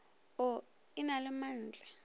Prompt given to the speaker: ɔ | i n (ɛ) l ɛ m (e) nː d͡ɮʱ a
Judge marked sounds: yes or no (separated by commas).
no, no